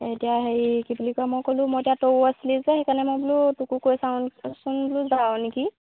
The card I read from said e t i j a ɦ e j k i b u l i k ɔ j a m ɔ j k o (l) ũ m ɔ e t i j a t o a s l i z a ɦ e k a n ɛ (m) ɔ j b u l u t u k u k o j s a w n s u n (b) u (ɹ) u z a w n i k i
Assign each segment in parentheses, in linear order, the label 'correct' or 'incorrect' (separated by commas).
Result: correct, correct, correct, incorrect